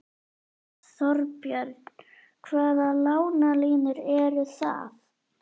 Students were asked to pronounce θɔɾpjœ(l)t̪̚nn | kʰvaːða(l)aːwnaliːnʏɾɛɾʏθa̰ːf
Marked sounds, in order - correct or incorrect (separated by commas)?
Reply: incorrect, correct